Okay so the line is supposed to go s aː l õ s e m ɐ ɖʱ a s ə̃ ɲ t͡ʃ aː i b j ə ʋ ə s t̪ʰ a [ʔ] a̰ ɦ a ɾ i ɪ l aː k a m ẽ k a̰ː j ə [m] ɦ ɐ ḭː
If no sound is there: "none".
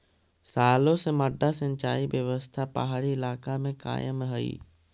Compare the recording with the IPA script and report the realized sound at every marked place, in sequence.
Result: p, m

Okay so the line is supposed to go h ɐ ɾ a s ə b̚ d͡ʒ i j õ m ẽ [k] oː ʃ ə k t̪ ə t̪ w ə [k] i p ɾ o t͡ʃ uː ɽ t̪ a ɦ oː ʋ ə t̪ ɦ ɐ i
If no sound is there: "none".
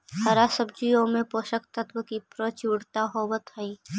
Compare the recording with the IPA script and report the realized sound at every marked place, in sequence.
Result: p, k

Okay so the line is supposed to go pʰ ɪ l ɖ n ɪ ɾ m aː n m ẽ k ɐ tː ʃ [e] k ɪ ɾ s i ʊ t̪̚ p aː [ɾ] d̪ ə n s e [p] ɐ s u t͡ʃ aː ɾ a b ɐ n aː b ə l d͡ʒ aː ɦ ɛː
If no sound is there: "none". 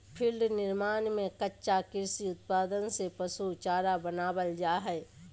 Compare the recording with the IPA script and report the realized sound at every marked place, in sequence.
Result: a, none, p

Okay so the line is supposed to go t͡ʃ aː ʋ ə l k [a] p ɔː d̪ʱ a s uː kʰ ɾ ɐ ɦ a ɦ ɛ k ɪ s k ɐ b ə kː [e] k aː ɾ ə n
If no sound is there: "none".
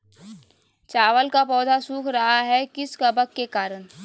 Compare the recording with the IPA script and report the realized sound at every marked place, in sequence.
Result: a, e

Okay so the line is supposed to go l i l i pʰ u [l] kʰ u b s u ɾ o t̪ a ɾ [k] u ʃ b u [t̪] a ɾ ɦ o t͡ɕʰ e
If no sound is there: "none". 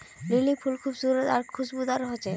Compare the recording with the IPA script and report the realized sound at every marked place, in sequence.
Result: l, kʰ, d̪

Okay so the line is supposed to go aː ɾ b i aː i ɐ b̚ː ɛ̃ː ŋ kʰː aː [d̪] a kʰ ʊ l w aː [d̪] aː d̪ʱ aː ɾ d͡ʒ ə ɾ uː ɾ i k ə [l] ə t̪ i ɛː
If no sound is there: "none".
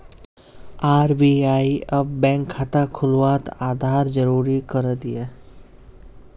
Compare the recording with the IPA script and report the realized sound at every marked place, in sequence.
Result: t̪, t̪, ɾ

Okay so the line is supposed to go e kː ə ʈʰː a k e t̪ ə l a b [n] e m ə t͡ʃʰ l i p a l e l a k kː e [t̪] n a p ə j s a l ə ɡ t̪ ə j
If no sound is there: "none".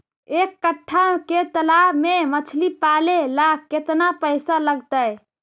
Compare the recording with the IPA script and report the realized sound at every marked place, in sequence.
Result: m, t̪

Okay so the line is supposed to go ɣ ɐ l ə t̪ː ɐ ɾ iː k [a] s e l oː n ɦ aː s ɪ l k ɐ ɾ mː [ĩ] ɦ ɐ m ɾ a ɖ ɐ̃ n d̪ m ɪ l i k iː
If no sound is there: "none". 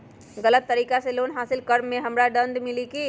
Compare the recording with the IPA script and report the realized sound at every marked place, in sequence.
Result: a, ẽ

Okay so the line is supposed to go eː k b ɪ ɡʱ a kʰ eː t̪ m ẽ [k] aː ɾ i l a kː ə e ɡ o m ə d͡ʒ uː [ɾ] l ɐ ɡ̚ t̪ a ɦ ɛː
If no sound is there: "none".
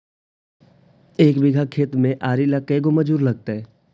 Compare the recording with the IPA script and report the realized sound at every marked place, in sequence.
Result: ʔ, ɾ

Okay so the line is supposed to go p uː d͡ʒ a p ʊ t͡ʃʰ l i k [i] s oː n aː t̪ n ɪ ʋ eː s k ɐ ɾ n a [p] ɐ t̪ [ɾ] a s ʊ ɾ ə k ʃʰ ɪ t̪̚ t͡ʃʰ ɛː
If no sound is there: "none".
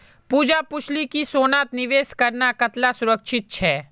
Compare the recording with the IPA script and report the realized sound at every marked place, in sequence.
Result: i, k, l

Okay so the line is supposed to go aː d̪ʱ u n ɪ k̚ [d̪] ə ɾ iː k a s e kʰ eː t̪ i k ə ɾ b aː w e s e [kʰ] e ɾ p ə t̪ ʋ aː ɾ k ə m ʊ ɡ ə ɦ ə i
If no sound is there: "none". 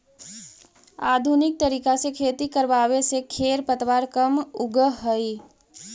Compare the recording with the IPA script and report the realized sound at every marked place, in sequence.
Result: t̪, kʰ

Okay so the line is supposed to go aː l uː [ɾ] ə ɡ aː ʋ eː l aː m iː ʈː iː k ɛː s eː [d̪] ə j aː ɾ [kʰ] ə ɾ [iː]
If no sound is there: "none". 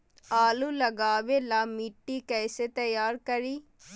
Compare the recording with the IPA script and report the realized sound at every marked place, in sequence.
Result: l, t̪, k, iː

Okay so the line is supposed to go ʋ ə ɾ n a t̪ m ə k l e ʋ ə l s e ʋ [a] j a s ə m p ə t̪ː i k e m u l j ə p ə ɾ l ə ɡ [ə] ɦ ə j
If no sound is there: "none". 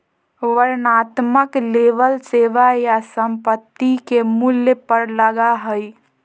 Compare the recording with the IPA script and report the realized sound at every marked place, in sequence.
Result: a, a

